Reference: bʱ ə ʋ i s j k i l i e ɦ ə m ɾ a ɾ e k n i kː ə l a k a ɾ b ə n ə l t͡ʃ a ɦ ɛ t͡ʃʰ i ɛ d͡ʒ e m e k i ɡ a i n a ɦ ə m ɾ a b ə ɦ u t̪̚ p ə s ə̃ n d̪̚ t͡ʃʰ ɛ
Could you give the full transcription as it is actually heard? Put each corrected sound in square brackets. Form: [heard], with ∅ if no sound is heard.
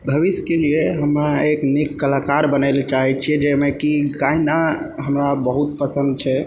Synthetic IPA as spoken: bʱ ə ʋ i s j k [e] l i e ɦ ə m ɾ a [∅] e k n i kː ə l a k a ɾ b ə n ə l t͡ʃ a ɦ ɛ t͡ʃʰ i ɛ d͡ʒ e m e k i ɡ a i n a ɦ ə m ɾ a b ə ɦ u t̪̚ p ə s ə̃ n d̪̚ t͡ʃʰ ɛ